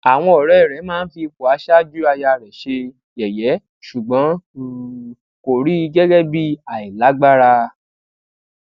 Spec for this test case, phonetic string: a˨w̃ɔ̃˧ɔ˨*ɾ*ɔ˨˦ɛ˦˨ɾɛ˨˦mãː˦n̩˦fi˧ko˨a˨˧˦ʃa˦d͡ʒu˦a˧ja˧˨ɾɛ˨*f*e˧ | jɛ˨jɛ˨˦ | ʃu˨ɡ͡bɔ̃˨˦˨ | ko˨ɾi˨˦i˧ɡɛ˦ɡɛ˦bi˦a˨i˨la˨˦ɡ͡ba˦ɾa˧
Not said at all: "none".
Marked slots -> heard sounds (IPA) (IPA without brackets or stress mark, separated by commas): ɾ, ʃ